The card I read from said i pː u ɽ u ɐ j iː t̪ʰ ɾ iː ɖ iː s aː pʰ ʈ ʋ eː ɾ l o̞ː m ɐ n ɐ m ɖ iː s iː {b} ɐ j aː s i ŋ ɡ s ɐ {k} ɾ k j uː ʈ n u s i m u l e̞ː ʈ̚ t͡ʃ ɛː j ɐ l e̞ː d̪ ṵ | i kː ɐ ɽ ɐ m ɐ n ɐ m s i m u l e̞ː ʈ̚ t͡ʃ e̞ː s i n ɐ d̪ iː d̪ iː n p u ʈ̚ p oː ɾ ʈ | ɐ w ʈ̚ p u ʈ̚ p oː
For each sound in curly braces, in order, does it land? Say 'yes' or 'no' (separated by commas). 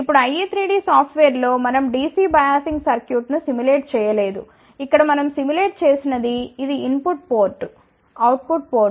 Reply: yes, no